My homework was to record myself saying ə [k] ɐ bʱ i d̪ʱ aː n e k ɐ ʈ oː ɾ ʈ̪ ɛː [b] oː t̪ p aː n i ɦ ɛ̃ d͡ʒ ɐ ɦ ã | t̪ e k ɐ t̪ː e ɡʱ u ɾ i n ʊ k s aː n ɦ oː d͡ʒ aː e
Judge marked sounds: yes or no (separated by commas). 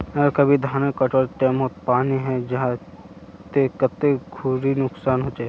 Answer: yes, no